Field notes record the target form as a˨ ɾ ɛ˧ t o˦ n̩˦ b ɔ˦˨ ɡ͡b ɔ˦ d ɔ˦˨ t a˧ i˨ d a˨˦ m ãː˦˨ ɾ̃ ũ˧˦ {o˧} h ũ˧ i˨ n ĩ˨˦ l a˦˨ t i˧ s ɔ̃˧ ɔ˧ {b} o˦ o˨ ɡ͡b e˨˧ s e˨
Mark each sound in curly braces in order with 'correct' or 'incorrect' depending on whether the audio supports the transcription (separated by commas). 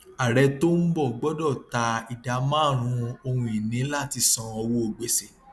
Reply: correct, incorrect